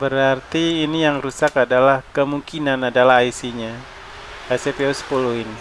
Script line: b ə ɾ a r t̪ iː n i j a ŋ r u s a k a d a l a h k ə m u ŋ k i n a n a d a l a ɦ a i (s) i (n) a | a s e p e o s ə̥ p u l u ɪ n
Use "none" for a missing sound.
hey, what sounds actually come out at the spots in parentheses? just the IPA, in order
s, ɲ

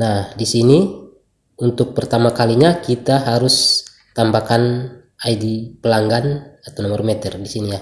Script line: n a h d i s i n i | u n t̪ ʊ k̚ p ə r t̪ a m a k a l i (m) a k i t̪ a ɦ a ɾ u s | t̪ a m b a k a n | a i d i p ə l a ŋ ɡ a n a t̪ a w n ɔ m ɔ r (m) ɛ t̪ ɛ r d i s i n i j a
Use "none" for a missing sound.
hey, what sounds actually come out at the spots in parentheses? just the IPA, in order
ɲ, m

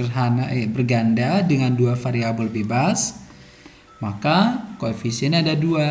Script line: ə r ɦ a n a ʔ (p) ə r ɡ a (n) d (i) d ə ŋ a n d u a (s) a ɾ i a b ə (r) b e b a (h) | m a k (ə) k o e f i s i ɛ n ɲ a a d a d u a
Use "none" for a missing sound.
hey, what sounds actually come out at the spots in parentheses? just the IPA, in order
b, n, a, f, l, s, a

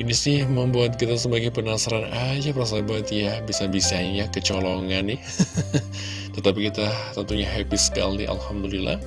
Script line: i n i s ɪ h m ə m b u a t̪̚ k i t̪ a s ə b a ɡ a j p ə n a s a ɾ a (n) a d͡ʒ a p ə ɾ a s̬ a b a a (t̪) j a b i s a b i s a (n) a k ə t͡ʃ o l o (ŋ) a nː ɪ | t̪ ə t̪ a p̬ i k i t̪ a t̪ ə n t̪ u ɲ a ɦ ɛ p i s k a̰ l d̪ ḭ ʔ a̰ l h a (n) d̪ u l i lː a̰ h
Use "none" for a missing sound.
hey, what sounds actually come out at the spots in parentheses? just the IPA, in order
n, t̪, ɲ, ŋ, m

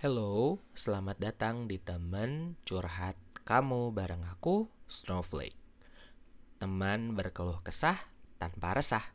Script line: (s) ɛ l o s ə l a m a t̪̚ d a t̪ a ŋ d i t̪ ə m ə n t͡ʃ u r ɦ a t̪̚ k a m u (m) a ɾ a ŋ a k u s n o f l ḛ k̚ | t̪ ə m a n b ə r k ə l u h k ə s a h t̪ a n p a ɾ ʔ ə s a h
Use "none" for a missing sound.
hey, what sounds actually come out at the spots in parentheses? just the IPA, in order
h, b

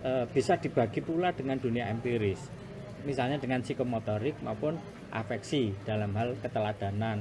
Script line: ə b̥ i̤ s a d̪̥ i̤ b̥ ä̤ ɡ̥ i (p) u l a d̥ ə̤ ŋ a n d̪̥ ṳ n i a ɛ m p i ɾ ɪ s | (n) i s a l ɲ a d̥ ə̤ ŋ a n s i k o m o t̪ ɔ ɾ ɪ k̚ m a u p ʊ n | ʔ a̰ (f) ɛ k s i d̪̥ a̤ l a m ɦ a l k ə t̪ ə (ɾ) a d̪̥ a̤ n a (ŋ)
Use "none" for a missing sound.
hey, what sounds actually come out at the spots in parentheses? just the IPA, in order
p, m, f, l, n

